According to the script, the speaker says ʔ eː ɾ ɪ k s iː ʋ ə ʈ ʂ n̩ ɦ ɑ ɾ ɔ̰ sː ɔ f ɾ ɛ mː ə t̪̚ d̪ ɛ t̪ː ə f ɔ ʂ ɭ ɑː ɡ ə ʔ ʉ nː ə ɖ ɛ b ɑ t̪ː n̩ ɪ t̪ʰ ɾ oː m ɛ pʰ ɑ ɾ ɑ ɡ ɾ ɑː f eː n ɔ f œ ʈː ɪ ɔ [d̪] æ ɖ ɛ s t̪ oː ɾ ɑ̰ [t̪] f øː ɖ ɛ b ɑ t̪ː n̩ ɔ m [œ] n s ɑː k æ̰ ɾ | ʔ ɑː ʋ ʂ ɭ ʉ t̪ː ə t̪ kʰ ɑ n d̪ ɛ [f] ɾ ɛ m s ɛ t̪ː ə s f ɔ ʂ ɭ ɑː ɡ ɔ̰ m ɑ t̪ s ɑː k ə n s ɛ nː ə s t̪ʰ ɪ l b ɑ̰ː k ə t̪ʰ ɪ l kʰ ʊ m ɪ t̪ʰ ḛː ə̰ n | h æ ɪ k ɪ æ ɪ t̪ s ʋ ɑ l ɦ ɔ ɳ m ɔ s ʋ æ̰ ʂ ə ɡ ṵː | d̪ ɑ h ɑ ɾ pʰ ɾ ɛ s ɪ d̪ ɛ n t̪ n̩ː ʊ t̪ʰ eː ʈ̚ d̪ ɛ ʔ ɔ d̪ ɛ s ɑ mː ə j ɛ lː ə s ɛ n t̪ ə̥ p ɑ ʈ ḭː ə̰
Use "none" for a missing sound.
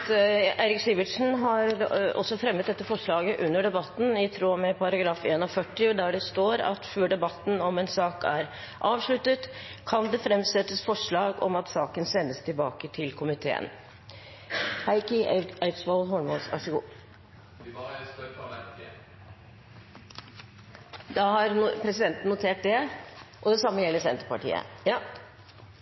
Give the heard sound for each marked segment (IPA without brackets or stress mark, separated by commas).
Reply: d̪, t̪, ɛ, f